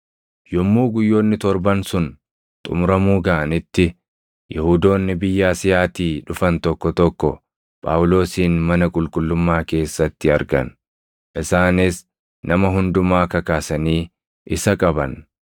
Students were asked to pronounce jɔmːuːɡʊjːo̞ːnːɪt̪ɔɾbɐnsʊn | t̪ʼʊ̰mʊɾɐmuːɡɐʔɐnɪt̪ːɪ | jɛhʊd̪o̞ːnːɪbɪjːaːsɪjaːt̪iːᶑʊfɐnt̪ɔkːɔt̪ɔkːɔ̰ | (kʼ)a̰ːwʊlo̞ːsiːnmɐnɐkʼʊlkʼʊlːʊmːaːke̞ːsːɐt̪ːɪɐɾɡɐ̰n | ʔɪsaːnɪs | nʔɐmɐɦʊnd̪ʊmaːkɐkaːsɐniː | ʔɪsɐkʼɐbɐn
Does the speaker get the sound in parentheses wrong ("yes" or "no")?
yes